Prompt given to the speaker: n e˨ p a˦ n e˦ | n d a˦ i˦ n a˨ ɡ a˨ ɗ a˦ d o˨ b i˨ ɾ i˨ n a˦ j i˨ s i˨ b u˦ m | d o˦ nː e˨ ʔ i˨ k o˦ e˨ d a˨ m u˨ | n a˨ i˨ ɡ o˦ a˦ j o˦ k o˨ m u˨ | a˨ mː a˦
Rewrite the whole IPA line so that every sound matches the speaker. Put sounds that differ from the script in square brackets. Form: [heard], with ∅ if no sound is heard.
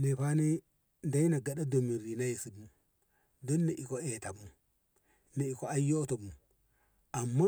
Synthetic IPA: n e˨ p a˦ n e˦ | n d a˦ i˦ n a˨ ɡ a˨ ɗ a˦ d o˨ [m] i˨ ɾ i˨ n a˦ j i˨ s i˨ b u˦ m | d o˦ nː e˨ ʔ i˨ k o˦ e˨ [t] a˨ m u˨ | n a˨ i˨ [k] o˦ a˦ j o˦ [t] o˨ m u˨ | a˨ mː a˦